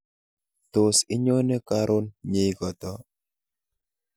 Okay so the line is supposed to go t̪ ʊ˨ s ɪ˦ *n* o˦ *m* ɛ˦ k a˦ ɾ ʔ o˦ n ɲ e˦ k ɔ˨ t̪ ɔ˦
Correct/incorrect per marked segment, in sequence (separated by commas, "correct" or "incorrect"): incorrect, incorrect